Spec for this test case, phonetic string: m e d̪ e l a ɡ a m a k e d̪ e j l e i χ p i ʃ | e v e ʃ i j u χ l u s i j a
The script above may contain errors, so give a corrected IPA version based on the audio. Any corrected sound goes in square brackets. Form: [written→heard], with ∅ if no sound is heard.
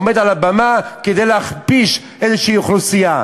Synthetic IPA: m e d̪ [e→a] l a [ɡ→b] a m a k e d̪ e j l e [i→a] χ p i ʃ | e [v→z] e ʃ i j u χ l u s i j a

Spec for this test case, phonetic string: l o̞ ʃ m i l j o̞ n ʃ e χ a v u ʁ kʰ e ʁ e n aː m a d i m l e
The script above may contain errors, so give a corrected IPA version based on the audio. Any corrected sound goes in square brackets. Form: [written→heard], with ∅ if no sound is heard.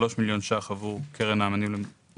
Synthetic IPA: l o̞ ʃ m i l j o̞ n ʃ [e→a] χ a v u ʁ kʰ e ʁ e n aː m a [d→n] i m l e

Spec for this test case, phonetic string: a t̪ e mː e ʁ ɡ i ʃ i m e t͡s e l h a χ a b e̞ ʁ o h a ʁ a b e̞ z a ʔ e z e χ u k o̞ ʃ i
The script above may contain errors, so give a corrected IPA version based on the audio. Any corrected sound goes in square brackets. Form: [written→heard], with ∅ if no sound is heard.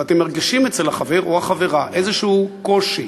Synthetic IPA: a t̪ e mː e ʁ ɡ i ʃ i m e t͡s e l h a χ a [b→v] e̞ ʁ o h a [ʁ→χ] a [b→v] e̞ [z→ʁ] a ʔ e z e [χ→ʃ] u k o̞ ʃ i

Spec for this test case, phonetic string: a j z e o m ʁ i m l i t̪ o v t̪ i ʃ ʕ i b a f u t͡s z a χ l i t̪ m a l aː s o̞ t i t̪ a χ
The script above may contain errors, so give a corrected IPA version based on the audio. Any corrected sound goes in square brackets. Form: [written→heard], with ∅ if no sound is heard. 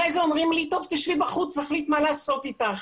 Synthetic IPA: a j z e o m ʁ i m l i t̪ o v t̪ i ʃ [ʕ→v] i b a [f→χ] u t͡s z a χ l i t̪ m a l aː s o̞ t i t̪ a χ

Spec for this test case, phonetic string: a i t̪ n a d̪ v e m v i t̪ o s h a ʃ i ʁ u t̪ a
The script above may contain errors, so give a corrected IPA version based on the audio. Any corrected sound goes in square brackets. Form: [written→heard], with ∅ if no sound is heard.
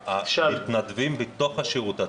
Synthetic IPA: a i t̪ n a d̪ v [e→i] m [v→b] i t̪ o [s→χ] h a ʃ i ʁ u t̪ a

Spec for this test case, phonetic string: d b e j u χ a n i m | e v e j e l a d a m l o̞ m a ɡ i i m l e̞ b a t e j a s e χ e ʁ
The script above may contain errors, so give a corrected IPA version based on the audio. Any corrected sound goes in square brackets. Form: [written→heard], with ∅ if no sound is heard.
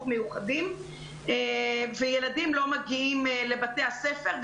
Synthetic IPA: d [b→m] e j u χ a [n→d] i m | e v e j e l a d [a→i] m l o̞ m a ɡ i i m l e̞ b a t e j a s e [χ→f] e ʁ

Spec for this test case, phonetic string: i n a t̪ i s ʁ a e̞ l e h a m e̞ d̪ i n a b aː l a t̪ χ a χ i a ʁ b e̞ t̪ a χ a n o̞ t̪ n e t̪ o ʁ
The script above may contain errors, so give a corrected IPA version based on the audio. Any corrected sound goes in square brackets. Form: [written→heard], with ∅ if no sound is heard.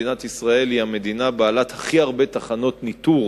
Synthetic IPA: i n a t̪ i s ʁ a e̞ l [e→i] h a m e̞ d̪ i n a b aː l a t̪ [χ→h] a χ i a ʁ b e̞ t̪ a χ a n o̞ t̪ n [e→i] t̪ [o→u] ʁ

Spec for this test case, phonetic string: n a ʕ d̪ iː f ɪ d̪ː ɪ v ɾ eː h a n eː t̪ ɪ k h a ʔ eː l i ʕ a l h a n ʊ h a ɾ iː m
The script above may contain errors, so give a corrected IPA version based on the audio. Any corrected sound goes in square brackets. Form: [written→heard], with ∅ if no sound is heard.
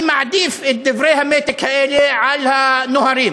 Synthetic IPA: [n→m] a ʕ d̪ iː f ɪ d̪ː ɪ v ɾ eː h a [n→m] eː t̪ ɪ k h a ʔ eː l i ʕ a l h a n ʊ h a ɾ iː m

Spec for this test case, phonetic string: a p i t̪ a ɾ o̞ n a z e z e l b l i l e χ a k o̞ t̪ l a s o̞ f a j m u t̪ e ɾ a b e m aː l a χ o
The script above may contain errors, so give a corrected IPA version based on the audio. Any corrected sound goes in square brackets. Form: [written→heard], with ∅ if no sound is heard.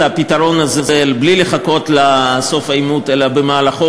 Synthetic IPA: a p i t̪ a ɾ o̞ n a z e z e l b l i l e χ a k o̞ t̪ l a s o̞ f a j m u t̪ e [ɾ→l] a b e m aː l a χ o

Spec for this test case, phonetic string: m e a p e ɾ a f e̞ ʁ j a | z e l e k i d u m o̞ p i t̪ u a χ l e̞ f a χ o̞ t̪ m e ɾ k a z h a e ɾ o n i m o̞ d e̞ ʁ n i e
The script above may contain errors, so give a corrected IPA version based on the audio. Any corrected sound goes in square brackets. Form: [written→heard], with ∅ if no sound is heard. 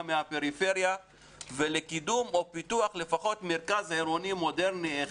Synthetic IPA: m e a p e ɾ [a→i] f e̞ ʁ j a | [z→v] e l e k i d u m o̞ p i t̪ u a χ l e̞ f a χ o̞ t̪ m e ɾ k a z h a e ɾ o n i m o̞ d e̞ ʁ n i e

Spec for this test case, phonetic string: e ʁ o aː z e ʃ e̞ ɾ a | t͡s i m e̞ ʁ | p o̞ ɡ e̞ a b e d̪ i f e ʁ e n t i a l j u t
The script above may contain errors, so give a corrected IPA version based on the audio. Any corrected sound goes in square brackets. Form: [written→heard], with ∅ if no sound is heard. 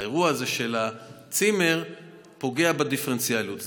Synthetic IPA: e ʁ [o→u] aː z e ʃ e̞ [ɾ→l] a | t͡s i m e̞ ʁ | p o̞ ɡ e̞ a b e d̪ i f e ʁ e n [t→t͡s] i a l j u t

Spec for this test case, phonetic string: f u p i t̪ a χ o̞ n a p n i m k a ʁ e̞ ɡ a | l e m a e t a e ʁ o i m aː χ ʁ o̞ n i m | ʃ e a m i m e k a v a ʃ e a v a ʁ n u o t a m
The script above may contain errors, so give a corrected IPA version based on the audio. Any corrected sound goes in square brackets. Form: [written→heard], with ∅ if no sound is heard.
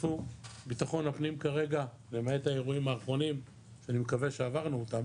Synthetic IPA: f u [p→b] i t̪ a χ o̞ n a p n i m k a ʁ e̞ ɡ a | l e m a e t a e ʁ [o→u] i m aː χ ʁ o̞ n i m | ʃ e a [m→n] i m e k a v [a→e] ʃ e a v a ʁ n u o t a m

